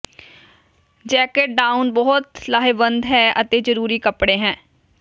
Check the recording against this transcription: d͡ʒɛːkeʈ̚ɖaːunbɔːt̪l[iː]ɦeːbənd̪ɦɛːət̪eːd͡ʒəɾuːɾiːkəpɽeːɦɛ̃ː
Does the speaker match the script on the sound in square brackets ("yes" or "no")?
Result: no